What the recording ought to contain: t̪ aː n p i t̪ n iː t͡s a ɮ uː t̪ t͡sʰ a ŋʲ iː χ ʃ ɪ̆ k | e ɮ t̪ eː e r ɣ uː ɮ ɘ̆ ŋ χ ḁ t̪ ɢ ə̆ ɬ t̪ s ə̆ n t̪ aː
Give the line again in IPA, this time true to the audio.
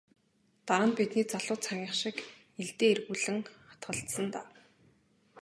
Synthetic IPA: t̪ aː n p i t̪ n iː t͡s a ɮ ʊː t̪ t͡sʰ a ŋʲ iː χ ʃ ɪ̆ k | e ɮ t̪ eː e r ɣ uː ɮ ɘ̆ ŋ χ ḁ t̪ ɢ ə̆ ɬ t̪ s ə̆ n t̪ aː